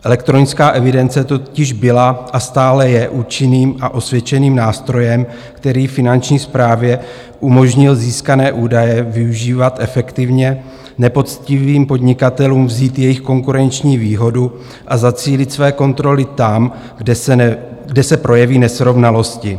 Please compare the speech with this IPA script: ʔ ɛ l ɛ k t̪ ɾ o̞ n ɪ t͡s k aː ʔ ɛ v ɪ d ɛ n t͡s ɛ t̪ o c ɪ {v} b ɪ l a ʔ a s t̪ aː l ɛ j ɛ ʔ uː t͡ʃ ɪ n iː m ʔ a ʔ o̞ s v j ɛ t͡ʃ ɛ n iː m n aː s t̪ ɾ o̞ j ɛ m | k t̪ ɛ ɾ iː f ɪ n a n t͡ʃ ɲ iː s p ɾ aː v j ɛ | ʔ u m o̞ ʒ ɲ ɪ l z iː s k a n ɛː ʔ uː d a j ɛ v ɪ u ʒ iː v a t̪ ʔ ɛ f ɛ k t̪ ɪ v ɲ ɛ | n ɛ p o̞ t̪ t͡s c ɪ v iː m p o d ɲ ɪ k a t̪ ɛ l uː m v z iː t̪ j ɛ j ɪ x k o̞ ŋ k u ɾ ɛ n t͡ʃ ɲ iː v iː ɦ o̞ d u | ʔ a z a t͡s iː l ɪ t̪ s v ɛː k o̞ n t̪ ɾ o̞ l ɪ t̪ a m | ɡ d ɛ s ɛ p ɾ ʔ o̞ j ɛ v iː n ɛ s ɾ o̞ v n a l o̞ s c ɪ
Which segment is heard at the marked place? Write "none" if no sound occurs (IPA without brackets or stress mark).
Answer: ʒ